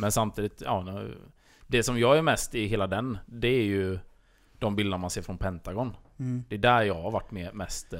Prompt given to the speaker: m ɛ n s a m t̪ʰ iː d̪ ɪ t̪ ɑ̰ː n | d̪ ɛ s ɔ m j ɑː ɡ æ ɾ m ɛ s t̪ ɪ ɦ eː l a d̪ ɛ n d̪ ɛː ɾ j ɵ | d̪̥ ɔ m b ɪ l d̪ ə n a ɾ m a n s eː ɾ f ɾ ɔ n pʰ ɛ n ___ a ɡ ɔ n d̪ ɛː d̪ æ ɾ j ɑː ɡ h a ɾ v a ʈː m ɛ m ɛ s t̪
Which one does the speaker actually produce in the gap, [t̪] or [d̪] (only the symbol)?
t̪